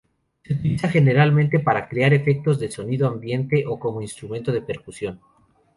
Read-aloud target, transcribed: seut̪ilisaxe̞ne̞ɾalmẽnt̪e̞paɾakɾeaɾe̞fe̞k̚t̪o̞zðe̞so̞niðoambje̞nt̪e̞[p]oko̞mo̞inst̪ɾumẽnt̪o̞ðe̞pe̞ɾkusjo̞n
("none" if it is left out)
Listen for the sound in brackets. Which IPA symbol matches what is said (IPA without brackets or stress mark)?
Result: ʔ